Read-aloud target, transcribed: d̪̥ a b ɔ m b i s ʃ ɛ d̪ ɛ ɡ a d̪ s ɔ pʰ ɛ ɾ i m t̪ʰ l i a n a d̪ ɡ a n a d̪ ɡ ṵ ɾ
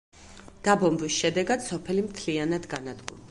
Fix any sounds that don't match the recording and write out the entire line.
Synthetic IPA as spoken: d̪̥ a b ɔ m b i s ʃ ɛ d̪ ɛ ɡ a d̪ s ɔ pʰ ɛ l i m t̪ʰ l i a n a d̪ ɡ a n a d̪ ɡ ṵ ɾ